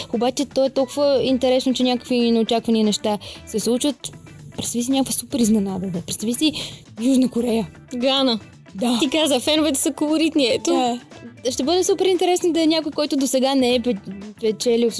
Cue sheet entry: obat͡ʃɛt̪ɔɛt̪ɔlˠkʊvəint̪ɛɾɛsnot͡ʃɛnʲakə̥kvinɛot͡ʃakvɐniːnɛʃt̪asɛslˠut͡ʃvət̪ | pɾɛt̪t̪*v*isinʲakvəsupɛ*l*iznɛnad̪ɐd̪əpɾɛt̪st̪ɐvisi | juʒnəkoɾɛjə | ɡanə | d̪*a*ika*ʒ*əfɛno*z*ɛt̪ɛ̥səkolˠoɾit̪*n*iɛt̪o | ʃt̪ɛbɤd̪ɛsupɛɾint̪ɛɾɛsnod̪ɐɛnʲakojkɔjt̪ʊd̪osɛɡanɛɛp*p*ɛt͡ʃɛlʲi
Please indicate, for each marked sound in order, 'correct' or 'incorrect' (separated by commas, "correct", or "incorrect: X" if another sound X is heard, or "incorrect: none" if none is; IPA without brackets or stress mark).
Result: correct, incorrect: ɾ, correct, incorrect: z, incorrect: v, correct, correct